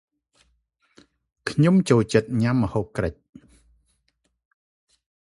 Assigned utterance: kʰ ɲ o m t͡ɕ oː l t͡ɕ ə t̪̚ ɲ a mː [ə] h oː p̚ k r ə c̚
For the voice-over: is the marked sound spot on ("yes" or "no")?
yes